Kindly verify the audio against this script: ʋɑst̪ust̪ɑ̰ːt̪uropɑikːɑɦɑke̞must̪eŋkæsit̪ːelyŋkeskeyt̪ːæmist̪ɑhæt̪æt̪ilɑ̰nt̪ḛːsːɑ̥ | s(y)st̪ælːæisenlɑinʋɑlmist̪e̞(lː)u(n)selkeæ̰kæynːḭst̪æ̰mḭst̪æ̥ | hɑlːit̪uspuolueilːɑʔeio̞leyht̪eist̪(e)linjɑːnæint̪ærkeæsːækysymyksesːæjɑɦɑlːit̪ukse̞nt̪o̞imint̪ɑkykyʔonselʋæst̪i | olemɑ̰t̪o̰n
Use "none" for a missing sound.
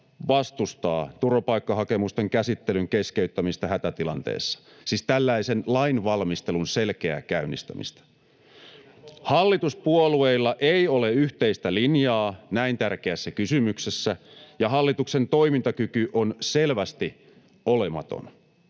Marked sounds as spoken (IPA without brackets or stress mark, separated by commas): i, l, n, æ